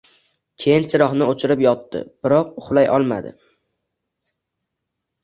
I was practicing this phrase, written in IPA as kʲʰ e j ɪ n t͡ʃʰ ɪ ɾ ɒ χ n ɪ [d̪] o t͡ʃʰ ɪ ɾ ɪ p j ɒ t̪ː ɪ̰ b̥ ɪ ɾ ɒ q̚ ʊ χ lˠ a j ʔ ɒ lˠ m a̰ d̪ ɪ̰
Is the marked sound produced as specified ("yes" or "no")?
no